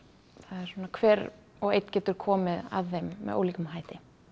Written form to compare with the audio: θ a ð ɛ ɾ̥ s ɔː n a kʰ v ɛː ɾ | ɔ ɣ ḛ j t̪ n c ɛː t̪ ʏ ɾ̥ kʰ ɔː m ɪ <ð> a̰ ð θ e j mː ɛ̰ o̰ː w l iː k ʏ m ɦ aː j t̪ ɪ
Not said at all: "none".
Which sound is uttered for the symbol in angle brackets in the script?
ð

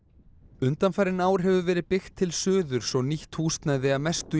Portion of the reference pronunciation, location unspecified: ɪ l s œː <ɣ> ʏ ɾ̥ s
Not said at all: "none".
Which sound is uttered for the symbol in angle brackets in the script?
ð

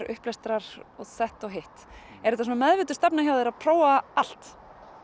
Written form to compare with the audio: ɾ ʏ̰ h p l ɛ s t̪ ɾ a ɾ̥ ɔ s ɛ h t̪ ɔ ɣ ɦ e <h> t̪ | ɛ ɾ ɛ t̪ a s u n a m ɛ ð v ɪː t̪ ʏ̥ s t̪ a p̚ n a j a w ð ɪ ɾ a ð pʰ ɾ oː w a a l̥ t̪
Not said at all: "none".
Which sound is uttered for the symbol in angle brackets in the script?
h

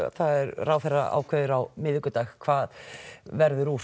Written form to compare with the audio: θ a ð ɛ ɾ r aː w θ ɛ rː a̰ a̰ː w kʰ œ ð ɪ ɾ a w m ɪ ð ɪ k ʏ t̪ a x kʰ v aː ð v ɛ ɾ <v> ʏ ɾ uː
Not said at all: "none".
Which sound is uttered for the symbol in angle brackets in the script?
ð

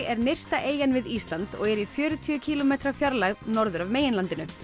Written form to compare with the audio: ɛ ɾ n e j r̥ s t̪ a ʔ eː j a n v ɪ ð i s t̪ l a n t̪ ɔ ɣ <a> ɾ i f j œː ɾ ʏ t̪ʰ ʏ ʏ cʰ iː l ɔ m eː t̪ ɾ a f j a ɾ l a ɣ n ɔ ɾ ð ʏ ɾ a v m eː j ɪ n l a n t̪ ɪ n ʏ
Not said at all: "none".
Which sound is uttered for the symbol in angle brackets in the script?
ɛ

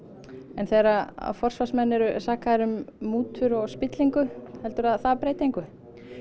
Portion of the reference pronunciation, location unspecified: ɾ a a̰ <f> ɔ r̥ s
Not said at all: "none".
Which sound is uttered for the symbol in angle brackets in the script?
f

